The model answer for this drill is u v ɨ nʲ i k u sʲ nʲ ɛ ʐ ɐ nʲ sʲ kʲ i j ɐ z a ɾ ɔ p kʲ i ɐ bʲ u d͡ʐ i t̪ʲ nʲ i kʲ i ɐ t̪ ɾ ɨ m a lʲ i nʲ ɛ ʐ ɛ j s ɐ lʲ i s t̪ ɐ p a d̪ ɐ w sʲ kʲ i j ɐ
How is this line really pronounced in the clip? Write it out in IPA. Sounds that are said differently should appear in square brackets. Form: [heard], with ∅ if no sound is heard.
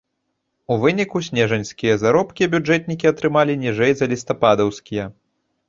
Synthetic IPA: u v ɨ nʲ i k u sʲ nʲ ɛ ʐ ɐ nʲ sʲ kʲ i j ɐ z a ɾ ɔ p kʲ i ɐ bʲ u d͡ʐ [ɛ] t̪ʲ nʲ i kʲ i ɐ t̪ ɾ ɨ m a lʲ i nʲ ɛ ʐ ɛ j [z] ɐ lʲ i s t̪ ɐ p a d̪ ɐ w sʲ kʲ i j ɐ